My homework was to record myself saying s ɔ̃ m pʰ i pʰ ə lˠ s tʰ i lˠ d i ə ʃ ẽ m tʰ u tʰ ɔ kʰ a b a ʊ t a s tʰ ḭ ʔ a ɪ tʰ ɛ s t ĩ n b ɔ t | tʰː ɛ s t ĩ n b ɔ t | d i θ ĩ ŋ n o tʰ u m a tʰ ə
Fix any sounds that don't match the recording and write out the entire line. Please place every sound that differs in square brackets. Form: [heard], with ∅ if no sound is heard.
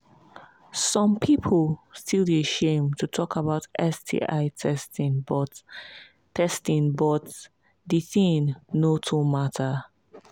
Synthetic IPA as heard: s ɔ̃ m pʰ i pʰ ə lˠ s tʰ i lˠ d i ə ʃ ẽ m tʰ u tʰ ɔ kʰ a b a ʊ t [ɛ] s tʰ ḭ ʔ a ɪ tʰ ɛ s t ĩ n b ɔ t | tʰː ɛ s t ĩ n b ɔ t | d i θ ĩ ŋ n o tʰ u m a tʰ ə